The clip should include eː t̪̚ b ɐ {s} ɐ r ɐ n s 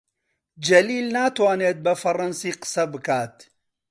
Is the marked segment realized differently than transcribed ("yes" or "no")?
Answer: yes